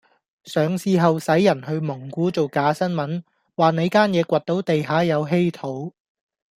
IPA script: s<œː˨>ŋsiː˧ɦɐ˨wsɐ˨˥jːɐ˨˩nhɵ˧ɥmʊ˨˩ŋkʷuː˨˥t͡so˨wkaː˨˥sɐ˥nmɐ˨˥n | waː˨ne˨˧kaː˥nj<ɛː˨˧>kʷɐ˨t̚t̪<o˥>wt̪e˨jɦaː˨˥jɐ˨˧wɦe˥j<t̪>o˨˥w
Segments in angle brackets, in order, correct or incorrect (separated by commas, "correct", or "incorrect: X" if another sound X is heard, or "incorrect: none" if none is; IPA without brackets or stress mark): correct, correct, incorrect: o˨˥, incorrect: t̪ʰ